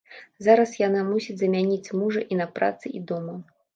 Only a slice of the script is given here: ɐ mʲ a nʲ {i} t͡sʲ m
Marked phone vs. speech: correct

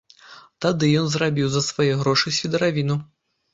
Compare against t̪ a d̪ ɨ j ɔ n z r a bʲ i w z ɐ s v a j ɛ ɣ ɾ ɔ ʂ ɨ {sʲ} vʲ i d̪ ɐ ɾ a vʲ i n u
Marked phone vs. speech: correct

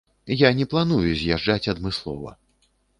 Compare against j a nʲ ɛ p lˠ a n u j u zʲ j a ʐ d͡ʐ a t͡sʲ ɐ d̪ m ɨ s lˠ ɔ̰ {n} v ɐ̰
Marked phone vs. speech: incorrect: none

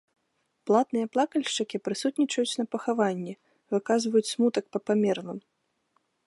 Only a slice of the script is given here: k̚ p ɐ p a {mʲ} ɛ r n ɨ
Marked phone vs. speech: correct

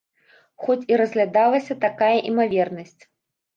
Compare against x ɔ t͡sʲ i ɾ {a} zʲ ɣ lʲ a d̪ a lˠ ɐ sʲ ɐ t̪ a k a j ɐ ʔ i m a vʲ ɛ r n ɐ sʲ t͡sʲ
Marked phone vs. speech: incorrect: ɐ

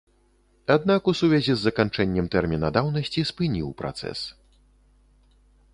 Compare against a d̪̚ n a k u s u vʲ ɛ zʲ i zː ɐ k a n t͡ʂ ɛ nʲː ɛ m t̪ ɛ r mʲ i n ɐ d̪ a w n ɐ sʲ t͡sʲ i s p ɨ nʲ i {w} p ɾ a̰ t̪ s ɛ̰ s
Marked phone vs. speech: correct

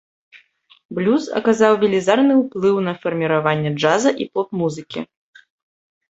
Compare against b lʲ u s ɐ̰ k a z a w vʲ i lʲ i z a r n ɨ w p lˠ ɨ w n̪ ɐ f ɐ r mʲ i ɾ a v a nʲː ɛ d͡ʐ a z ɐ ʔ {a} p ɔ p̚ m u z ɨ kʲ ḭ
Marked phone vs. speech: incorrect: i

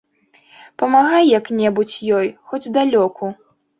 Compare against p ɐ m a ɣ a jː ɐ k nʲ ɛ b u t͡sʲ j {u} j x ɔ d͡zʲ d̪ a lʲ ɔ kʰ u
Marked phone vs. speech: incorrect: ɔ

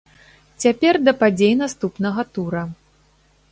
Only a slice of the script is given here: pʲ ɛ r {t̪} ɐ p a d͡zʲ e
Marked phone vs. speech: incorrect: d̪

